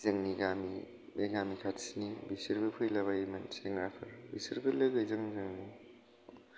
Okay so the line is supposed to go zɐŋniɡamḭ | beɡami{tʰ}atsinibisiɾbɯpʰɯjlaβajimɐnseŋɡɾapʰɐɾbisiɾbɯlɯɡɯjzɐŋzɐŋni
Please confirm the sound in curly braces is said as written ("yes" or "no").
no